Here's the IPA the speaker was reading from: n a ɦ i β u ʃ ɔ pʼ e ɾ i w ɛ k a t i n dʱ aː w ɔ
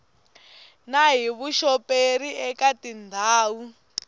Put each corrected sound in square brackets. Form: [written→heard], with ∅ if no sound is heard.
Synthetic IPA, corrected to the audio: n a ɦ i β u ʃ ɔ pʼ e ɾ i [w→∅] ɛ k a t i n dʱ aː w [ɔ→u]